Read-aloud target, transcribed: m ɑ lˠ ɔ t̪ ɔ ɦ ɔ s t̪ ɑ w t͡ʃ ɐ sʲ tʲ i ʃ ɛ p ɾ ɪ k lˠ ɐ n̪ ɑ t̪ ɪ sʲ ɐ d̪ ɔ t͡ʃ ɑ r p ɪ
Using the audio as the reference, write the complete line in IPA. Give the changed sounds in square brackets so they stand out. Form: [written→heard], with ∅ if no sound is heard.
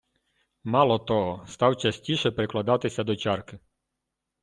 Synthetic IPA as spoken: m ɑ lˠ ɔ t̪ ɔ ɦ ɔ s t̪ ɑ w t͡ʃ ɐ sʲ tʲ i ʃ ɛ p ɾ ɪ k lˠ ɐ [n̪→d̪] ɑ t̪ ɪ sʲ ɐ d̪ ɔ t͡ʃ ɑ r [p→k] ɪ